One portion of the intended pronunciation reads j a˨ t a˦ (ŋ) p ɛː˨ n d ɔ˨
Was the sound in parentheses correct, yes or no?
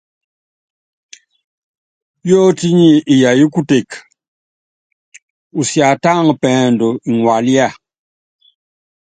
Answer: yes